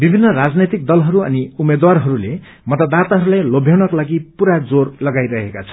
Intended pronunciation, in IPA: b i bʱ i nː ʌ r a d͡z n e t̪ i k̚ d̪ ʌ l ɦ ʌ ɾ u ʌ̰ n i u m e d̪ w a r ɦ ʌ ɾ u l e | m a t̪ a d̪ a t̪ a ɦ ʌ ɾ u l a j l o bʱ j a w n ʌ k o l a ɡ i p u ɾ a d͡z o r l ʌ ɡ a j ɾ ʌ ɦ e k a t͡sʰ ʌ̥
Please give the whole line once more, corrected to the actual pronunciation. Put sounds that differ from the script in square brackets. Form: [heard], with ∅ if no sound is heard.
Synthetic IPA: b i bʱ i nː ʌ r a d͡z n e t̪ i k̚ d̪ ʌ l ɦ ʌ ɾ u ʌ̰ n i u m e d̪ w a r ɦ ʌ ɾ u l e | m [ʌ] t̪ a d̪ a t̪ a ɦ ʌ ɾ u l a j l o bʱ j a w n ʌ k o l a ɡ i p u ɾ a d͡z o r l ʌ ɡ a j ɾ ʌ ɦ e k a t͡sʰ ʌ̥